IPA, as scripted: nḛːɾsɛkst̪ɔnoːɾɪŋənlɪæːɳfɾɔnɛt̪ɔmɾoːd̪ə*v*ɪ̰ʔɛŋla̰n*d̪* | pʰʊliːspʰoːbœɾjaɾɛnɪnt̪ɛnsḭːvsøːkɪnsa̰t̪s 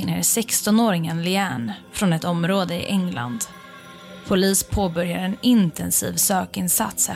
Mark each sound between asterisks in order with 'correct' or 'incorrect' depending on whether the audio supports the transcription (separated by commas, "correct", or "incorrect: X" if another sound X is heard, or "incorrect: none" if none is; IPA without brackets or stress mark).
incorrect: none, correct